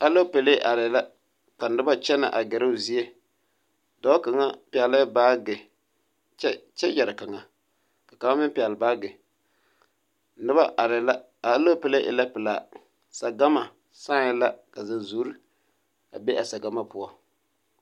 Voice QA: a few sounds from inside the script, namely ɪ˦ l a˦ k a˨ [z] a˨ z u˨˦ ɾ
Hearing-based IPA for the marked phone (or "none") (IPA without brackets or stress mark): z